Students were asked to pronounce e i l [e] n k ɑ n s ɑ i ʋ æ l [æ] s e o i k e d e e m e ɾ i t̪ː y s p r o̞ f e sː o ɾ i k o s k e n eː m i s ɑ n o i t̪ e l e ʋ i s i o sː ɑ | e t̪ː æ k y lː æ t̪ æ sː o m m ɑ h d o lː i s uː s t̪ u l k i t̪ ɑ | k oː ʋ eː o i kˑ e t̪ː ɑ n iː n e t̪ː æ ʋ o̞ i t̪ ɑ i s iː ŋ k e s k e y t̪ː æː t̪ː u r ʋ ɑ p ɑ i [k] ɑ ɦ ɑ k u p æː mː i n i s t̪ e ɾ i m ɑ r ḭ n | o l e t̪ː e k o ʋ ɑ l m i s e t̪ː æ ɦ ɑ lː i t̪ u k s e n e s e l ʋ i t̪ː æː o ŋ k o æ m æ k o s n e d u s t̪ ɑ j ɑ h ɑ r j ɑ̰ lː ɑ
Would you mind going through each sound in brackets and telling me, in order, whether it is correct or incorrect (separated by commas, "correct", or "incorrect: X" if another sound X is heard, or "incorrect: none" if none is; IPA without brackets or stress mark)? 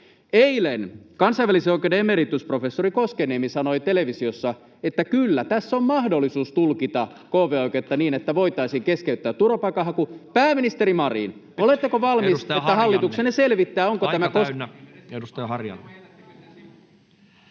correct, incorrect: i, correct